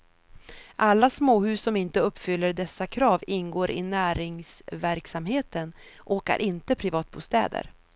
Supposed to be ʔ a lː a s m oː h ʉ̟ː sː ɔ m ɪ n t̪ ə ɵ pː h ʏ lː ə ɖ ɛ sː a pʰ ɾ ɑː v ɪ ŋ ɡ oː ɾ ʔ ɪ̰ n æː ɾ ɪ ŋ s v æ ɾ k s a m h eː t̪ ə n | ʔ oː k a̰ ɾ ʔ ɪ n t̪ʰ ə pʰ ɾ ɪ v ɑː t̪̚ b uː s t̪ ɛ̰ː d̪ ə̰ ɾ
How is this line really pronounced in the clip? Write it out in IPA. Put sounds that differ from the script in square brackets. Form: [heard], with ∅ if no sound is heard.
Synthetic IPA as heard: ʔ a lː a s m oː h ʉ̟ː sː ɔ m ɪ n t̪ ə ɵ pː [f] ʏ lː ə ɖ ɛ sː a [kʰ] ɾ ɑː v ɪ [n] ɡ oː ɾ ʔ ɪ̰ n æː ɾ ɪ ŋ s v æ ɾ k s a m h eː t̪ ə n | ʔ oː k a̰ ɾ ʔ ɪ n [t̪] ə pʰ ɾ ɪ v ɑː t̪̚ b uː s t̪ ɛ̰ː d̪ ə̰ ɾ